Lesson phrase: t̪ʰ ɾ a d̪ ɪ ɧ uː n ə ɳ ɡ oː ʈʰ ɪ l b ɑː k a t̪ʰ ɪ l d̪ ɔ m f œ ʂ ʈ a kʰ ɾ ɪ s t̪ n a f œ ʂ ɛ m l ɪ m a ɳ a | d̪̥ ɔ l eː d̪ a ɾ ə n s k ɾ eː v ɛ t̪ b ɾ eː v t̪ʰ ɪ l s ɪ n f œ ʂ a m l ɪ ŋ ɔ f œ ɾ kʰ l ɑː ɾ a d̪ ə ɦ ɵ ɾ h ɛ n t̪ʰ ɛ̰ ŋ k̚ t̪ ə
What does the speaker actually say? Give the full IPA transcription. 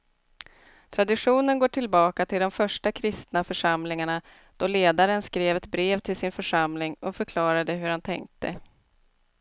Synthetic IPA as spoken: t̪ʰ ɾ a d̪ ɪ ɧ uː n ə n ɡ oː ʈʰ ɪ l b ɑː k a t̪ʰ ɪ l d̪ ɔ m f œ ʂ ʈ a kʰ ɾ ɪ s t̪ n a f œ ʂ a m l ɪ ŋ a ɳ a | d̪̥ ɔ l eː d̪ a ɾ ə n s k ɾ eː v ɛ t̪ b ɾ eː v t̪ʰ ɪ l s ɪ n f œ ʂ a m l ɪ ŋ ɔ f œ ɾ kʰ l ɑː ɾ a d̪ ə ɦ ɵ ɾ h a n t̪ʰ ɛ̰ ŋ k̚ t̪ ə